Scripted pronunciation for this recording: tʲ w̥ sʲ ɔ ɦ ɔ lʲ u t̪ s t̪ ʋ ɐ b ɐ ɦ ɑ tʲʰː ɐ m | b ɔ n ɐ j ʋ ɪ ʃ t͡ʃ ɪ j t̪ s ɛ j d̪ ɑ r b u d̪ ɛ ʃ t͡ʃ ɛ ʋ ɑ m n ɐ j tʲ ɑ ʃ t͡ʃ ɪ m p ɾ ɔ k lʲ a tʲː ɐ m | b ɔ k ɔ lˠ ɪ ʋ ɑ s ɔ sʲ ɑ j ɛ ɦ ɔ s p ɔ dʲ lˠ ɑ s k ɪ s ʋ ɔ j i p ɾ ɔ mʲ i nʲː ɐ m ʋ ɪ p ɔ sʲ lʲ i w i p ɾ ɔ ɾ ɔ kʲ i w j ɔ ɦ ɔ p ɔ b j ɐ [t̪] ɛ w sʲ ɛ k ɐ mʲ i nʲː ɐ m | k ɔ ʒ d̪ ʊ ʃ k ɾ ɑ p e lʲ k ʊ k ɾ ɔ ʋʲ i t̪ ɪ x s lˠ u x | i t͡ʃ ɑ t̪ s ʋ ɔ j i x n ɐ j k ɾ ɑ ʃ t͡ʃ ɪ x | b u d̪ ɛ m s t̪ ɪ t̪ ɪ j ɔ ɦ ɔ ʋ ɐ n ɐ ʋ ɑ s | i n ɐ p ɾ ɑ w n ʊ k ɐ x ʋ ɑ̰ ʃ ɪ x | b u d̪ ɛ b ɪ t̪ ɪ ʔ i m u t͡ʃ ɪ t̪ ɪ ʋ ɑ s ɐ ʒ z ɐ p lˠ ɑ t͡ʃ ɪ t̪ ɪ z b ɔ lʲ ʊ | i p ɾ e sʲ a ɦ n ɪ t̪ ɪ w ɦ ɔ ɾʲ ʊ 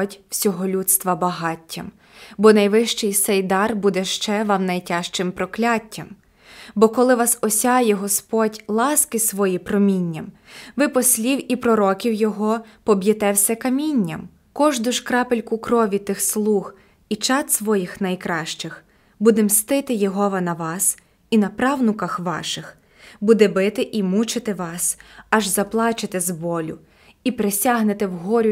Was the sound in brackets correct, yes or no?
yes